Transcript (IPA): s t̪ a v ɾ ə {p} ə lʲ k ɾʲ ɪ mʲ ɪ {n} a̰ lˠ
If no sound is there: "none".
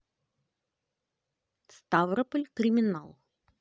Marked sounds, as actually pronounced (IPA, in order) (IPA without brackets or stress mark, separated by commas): p, n